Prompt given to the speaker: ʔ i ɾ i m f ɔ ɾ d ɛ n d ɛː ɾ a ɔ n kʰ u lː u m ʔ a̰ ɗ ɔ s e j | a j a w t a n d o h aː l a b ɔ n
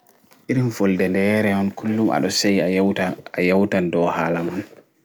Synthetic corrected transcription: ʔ i ɾ i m f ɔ l d ɛ n d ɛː ɾ ɛ ɔ n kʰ u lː u m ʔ a̰ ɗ ɔ s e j | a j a w t a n d ɔ h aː l a m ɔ n